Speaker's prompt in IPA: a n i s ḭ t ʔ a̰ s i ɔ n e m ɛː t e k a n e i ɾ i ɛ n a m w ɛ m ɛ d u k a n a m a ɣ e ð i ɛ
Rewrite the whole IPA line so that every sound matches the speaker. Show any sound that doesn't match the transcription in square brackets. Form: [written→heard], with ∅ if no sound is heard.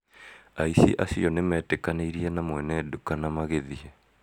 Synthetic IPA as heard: a [n→∅] i s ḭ [t→∅] ʔ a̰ s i ɔ n e m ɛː t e k a n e i ɾ i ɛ n a m w ɛ [m→n] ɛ d u k a n a m a ɣ e ð i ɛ